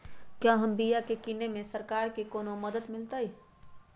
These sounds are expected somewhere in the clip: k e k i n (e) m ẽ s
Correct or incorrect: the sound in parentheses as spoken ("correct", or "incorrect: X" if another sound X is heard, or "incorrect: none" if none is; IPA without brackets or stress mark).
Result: correct